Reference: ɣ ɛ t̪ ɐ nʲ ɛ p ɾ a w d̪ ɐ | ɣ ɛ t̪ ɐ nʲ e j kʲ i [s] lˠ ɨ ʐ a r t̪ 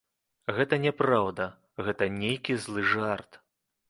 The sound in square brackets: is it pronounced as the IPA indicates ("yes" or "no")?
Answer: no